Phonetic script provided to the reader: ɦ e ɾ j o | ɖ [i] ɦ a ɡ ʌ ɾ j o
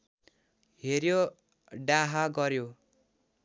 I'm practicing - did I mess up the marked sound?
yes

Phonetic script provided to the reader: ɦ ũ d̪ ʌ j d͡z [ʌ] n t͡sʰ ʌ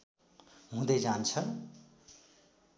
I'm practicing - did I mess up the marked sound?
yes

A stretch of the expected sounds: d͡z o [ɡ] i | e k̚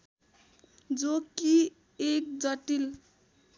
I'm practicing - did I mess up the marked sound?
yes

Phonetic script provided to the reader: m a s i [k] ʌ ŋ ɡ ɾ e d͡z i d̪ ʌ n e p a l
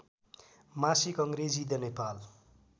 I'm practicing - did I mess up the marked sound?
no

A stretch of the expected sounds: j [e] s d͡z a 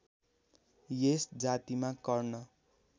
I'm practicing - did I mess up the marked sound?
no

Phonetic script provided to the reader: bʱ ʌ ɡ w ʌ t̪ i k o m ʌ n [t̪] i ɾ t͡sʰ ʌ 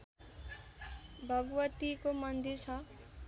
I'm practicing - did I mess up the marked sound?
yes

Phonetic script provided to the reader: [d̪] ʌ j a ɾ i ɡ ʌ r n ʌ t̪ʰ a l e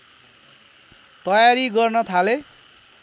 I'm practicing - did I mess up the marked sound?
yes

